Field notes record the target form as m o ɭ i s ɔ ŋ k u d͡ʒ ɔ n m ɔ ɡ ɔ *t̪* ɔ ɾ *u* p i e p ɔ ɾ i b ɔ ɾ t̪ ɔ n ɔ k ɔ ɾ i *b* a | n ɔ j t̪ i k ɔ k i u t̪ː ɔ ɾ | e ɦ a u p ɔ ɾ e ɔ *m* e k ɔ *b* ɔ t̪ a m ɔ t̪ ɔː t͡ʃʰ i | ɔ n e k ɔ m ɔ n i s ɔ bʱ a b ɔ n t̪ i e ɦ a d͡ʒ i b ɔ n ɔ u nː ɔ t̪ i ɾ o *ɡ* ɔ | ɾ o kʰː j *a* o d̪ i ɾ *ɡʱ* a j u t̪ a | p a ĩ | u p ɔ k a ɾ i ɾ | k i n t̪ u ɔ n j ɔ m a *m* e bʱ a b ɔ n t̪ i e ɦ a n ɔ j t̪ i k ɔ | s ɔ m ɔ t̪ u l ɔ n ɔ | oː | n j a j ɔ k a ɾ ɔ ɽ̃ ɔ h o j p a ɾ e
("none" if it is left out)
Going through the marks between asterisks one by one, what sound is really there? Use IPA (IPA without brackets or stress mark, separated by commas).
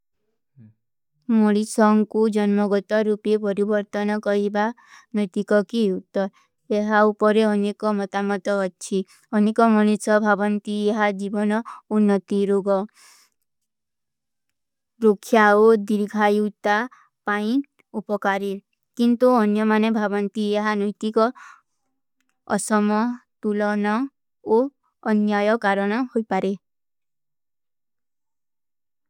t̪, u, b, n, m, ɡ, a, ɡʱ, n